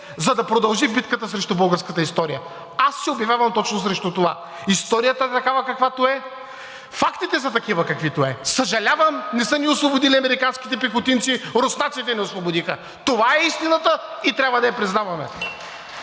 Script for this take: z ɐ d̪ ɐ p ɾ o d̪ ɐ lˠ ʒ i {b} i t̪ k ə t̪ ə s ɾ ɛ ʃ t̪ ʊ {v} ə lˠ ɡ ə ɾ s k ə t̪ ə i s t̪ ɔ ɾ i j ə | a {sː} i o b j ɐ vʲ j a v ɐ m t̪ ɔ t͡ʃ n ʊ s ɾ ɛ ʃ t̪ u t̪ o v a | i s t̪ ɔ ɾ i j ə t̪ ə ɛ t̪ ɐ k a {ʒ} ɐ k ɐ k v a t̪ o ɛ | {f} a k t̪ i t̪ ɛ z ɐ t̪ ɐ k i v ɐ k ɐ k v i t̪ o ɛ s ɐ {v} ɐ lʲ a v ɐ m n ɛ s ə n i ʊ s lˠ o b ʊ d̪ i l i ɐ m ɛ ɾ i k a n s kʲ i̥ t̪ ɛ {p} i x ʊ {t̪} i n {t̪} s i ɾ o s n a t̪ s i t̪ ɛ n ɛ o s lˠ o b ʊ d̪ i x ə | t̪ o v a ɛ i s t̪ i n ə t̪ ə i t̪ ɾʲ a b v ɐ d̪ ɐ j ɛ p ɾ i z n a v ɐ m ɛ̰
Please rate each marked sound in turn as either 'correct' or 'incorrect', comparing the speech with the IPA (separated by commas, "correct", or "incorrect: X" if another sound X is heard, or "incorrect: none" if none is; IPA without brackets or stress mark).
correct, incorrect: b, correct, incorrect: v, correct, incorrect: ʒ, correct, correct, correct